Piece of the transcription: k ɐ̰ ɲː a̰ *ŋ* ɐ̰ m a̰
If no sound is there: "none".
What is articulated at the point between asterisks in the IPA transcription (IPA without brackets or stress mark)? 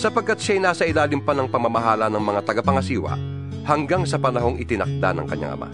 ŋ